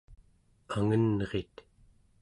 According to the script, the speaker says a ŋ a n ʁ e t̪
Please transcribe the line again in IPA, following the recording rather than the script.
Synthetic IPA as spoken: a ŋ ə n ʁ e t̪